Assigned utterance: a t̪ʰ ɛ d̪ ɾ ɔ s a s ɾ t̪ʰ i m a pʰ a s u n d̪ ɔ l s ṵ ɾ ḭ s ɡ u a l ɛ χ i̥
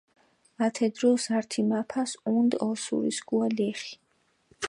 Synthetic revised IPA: a t̪ʰ ɛ d̪ ɾ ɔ s a ɾ t̪ʰ i m a pʰ a s u n d̪ ɔ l s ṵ ɾ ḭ s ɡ u a l ɛ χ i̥